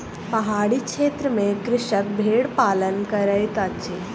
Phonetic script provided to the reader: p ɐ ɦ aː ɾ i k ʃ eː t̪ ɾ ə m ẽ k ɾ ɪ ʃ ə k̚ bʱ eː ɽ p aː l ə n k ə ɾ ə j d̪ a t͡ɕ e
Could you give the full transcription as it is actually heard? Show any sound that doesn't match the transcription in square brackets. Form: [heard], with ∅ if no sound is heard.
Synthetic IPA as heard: p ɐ ɦ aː [ɽ] i k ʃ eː t̪ ɾ ə m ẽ k ɾ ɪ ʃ ə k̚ bʱ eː ɽ p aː l ə n k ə ɾ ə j [t̪] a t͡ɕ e